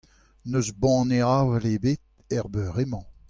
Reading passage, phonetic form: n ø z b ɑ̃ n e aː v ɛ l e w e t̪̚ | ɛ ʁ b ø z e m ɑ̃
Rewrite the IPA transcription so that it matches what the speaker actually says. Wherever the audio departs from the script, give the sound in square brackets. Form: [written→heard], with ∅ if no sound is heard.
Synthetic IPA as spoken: n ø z b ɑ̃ n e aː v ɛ l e [w→b] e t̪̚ | ɛ ʁ b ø [z→ʁ] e m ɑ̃